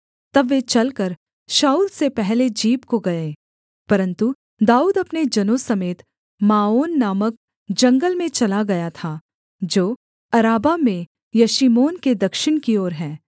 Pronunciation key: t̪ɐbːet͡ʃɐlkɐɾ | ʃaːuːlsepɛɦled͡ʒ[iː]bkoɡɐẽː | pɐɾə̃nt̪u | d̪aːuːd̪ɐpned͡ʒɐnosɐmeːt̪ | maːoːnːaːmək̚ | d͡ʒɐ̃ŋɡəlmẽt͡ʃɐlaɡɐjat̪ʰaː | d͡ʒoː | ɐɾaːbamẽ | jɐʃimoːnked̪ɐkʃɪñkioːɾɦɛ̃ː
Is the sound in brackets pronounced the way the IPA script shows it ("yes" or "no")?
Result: yes